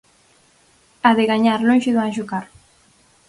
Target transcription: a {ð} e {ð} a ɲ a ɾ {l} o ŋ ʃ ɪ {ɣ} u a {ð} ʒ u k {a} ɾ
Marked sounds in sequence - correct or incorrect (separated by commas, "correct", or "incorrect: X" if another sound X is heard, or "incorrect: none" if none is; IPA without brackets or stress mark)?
correct, incorrect: ɣ, correct, incorrect: ð, incorrect: none, correct